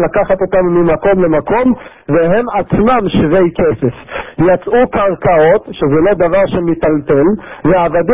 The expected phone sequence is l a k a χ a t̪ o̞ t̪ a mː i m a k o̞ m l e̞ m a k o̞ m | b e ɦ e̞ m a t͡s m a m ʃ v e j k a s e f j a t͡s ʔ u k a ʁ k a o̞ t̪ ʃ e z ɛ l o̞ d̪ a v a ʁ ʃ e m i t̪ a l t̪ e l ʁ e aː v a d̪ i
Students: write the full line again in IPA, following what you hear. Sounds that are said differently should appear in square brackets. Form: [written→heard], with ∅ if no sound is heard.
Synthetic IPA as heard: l a k a χ a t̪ o̞ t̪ a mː i m a k o̞ m l e̞ m a k o̞ m | [b→v] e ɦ e̞ m a t͡s m a m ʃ v e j k [a→e] s e f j a t͡s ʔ u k a ʁ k a o̞ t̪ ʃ e z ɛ l o̞ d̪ a v a ʁ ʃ e m i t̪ a l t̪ e l [ʁ→v] e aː v a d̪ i